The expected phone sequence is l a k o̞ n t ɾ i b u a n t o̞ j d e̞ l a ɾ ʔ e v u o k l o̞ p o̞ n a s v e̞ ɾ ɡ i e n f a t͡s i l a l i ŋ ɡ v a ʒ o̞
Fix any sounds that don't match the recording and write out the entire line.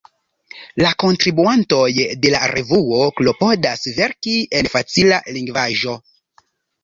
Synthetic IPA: l a k o̞ n t ɾ i b u a n t o̞ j d e̞ l a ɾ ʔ e v u o k l o̞ p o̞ d a s v e̞ ɾ k i e n f a t͡s i l a l i ŋ ɡ v a ʒ o̞